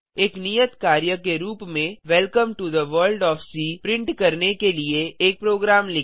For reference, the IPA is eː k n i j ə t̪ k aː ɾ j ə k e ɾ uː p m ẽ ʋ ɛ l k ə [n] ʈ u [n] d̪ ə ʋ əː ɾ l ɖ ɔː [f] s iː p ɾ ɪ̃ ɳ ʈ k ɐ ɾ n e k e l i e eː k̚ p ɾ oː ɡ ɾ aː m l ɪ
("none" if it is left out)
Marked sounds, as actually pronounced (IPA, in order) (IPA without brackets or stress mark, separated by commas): m, none, f